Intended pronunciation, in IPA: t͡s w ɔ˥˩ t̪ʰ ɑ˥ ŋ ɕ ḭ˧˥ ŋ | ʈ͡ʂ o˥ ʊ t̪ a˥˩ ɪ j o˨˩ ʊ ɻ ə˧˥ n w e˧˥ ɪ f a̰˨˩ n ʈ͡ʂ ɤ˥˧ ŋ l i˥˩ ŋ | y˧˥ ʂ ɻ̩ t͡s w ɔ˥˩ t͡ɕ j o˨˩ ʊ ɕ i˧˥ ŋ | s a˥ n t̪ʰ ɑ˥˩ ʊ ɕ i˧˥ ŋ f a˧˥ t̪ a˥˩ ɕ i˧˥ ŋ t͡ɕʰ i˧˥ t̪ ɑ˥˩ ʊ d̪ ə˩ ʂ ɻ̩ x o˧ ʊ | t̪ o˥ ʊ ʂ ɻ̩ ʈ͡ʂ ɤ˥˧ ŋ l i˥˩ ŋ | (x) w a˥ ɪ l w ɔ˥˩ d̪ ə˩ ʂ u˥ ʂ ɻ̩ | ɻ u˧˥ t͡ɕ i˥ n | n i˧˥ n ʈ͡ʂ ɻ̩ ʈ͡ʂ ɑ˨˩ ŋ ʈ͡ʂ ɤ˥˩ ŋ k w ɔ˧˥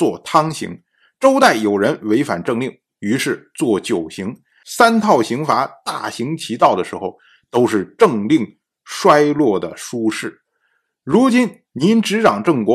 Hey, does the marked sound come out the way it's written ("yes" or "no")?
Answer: no